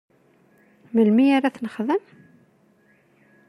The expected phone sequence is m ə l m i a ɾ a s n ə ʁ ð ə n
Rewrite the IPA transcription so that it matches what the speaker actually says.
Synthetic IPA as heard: m ə l m i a ɾ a θ n ə χ ð ə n